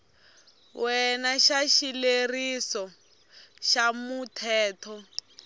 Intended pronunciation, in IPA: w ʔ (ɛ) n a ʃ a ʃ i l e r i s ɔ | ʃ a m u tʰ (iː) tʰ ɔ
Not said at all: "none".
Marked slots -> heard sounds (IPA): ɛ, ɛː

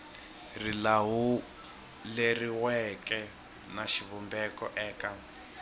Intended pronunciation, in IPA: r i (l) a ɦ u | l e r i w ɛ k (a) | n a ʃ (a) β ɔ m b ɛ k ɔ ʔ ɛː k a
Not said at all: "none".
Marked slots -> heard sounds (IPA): l, ɛ, i

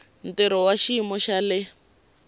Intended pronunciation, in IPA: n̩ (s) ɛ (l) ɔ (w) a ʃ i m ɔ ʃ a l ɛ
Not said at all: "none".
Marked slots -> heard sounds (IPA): t, ɾ, w

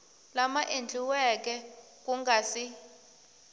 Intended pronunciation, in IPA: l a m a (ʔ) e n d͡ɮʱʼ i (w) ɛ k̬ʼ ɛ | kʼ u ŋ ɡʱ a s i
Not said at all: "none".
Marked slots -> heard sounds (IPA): ʔ, w

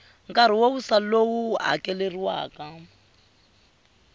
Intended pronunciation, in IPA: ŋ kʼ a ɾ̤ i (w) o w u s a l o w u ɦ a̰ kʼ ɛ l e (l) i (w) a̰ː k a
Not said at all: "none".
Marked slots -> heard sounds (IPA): w, r, w

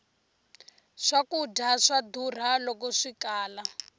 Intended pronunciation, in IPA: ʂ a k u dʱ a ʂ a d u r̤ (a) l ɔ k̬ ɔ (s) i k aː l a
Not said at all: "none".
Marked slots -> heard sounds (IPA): a, ʂ

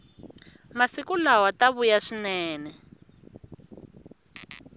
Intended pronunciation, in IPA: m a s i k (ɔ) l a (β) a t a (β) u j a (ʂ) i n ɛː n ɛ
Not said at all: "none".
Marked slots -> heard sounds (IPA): u, w, β, ʂ

